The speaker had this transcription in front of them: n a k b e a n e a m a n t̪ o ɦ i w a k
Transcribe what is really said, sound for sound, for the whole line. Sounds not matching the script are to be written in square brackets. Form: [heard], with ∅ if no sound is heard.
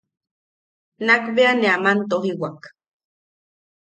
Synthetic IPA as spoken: n a k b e a n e a m a n t̪ o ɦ i w a k